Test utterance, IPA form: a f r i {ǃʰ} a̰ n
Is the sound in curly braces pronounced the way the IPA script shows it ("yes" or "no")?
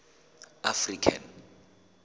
no